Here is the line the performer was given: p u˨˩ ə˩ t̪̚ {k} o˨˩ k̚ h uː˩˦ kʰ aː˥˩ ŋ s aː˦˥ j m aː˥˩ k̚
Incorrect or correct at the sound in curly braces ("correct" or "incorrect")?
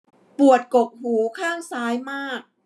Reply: correct